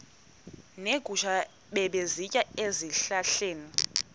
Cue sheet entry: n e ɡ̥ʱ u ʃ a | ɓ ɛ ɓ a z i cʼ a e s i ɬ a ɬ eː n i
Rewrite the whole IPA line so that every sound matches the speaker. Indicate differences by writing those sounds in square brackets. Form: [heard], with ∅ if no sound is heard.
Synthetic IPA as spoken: n e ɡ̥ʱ u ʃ a | ɓ ɛ ɓ [e] z i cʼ a e [z] i ɬ a ɬ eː n i